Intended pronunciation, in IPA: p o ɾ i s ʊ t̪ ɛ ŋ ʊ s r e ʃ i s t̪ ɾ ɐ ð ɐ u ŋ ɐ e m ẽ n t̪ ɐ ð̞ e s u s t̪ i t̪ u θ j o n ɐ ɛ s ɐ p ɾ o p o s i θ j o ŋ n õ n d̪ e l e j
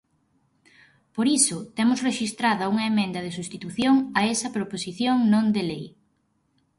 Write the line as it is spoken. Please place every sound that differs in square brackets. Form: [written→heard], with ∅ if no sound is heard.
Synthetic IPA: p o ɾ i s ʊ t̪ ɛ [ŋ→m] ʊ s r e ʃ i s t̪ ɾ [ɐ→a] ð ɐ u ŋ ɐ e m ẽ n [t̪→d̪] ɐ ð̞ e s u s t̪ i t̪ u θ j o [n→ŋ] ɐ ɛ s ɐ p ɾ o p o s i θ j o ŋ n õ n d̪ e l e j